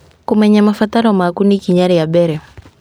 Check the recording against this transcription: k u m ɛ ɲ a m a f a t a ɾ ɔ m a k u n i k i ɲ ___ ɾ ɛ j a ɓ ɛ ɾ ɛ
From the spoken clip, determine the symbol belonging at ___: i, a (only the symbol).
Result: a